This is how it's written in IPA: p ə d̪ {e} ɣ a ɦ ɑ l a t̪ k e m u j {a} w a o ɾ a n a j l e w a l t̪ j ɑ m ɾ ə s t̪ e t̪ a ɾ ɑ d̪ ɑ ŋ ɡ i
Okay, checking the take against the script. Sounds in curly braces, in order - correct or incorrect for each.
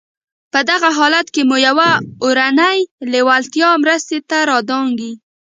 incorrect, correct

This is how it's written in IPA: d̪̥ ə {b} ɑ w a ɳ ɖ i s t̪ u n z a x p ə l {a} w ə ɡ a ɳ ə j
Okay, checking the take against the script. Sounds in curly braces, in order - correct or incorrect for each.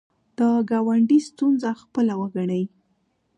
incorrect, correct

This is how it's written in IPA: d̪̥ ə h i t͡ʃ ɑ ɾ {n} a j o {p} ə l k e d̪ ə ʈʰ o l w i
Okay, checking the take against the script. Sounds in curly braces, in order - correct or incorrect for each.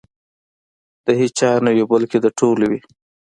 correct, incorrect

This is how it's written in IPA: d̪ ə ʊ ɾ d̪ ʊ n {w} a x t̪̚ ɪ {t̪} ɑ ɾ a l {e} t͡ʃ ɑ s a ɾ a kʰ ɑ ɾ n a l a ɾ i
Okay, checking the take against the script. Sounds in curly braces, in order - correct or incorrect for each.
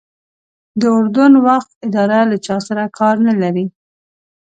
correct, incorrect, incorrect

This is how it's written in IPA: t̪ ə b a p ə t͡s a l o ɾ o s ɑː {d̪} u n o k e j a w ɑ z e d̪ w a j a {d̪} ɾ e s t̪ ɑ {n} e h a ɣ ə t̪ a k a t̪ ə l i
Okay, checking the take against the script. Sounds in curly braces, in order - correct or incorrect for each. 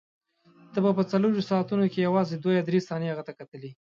incorrect, correct, correct

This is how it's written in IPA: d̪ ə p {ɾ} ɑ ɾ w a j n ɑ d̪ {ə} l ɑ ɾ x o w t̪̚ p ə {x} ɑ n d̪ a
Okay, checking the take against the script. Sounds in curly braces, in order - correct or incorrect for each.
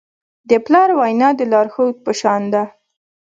incorrect, correct, incorrect

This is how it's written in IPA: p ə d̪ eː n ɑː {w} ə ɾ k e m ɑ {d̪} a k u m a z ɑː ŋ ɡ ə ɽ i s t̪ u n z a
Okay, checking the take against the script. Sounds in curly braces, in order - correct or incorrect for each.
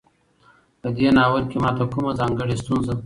correct, incorrect

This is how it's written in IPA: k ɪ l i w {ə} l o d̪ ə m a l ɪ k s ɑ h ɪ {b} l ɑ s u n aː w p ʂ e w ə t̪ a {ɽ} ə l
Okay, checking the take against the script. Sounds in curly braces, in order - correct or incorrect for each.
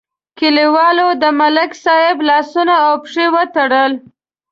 incorrect, correct, correct

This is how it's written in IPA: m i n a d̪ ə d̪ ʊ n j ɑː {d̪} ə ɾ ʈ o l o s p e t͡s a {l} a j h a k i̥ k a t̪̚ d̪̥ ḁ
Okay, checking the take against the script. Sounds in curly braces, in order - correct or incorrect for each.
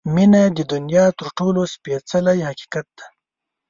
incorrect, correct

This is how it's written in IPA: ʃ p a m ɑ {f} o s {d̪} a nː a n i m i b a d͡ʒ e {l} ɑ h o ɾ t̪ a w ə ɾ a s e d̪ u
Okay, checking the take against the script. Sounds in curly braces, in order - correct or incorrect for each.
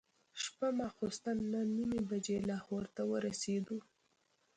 incorrect, incorrect, correct

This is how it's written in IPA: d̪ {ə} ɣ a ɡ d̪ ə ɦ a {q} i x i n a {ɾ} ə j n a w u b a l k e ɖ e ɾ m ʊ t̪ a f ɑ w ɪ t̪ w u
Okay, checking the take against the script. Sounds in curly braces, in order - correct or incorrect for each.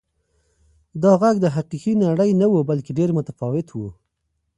incorrect, correct, incorrect

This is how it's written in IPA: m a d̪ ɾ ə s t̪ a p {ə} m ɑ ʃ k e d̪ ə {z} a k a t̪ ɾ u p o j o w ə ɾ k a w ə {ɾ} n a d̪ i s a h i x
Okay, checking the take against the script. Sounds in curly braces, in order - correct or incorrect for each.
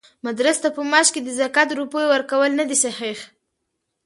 correct, correct, incorrect

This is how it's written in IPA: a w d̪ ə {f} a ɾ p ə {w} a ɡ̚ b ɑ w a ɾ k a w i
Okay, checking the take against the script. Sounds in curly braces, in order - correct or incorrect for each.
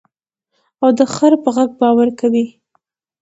incorrect, incorrect

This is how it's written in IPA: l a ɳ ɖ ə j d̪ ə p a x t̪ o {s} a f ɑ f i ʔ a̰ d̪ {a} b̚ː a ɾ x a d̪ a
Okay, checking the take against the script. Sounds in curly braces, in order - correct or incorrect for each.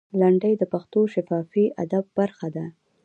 incorrect, correct

